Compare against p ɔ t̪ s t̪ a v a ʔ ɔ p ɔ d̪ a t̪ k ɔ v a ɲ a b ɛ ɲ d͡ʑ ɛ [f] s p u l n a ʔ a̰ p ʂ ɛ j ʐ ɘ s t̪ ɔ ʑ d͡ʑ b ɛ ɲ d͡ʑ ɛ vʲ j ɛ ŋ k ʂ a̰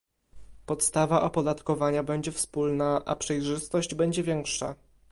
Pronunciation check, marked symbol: correct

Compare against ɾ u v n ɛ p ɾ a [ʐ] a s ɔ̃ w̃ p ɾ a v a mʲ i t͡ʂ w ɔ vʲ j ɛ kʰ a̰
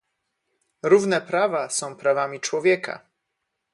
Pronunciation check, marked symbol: incorrect: v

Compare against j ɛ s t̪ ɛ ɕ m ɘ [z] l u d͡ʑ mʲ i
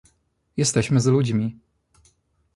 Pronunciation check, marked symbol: correct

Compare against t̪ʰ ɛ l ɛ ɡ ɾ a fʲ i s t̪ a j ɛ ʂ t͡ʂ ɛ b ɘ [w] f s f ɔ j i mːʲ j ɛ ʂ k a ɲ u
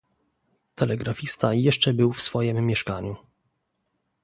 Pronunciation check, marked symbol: correct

